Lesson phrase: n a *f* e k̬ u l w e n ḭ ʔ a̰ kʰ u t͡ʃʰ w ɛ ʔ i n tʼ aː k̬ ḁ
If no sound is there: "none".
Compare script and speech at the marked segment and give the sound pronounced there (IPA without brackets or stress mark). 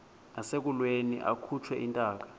s